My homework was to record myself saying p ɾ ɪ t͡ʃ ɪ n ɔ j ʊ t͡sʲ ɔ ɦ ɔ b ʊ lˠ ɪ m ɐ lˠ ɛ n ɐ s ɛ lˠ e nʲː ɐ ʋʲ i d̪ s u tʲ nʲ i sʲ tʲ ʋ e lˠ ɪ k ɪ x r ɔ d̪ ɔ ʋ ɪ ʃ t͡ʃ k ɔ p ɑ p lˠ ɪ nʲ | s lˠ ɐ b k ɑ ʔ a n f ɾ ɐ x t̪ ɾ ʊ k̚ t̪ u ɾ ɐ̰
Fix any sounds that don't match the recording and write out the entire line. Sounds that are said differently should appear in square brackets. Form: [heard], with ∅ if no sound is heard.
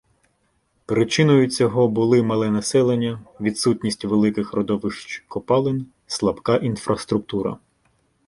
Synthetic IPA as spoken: p ɾ ɪ t͡ʃ ɪ n ɔ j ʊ t͡sʲ ɔ ɦ ɔ b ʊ lˠ ɪ m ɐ lˠ ɛ n ɐ s ɛ lˠ e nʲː ɐ ʋʲ i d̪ s u tʲ nʲ i sʲ tʲ ʋ e lˠ ɪ k ɪ x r ɔ d̪ ɔ ʋ ɪ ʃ t͡ʃ k ɔ p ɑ [∅] lˠ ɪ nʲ | s lˠ ɐ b k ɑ ʔ [i] n f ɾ ɐ [s] t̪ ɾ ʊ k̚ t̪ u ɾ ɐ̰